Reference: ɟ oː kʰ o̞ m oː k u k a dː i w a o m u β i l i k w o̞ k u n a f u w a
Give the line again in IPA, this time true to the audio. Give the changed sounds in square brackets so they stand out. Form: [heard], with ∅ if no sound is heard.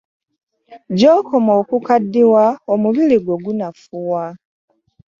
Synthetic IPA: ɟ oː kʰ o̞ m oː k u k a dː i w a o m u β i l i [ɡ] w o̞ [ɡ] u n a f u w a